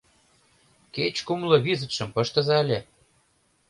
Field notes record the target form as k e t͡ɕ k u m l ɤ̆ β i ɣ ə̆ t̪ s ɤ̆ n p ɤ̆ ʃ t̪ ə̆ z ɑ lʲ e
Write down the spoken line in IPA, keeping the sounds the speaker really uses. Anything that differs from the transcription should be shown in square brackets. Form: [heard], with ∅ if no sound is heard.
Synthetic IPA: k e t͡ɕ k u m l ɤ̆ β i [z] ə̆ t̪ [ʃ] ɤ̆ [m] p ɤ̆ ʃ t̪ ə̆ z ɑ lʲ e